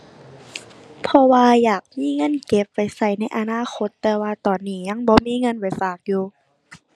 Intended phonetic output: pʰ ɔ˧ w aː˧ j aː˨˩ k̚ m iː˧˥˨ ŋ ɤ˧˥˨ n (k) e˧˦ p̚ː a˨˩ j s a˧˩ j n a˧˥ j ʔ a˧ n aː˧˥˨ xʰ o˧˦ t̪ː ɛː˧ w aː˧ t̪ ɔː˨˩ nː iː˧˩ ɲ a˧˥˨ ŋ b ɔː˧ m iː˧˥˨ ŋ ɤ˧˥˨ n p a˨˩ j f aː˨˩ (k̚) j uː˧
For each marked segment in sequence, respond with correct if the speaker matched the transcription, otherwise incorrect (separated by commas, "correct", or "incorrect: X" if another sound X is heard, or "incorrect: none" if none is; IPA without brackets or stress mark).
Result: correct, correct